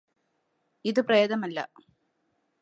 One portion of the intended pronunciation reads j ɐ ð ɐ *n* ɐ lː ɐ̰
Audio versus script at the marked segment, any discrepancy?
yes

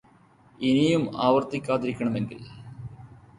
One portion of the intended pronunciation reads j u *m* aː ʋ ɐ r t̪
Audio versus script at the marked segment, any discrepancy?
no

